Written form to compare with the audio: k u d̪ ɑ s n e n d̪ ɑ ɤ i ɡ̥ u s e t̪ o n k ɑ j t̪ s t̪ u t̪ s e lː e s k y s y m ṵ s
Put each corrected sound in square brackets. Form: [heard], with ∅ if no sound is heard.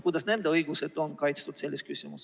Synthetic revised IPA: k u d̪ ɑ s n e n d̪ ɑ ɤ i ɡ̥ u s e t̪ o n k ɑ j t̪ s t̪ u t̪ s e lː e s k y s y m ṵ s